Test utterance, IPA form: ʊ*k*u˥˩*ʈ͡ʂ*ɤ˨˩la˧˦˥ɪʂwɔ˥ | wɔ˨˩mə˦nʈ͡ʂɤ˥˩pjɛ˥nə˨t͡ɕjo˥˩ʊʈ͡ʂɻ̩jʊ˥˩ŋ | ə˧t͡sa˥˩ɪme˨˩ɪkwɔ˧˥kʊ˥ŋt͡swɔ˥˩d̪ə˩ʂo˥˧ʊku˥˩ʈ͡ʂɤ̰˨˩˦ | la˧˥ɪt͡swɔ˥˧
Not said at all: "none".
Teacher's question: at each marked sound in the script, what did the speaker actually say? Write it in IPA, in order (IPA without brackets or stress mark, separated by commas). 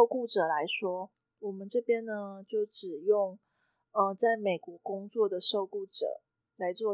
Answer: k, ʈ͡ʂ